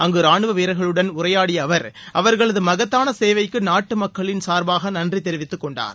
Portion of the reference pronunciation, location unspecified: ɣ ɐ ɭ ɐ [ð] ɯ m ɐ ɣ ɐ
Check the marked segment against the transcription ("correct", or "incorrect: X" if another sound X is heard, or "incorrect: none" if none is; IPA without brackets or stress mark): correct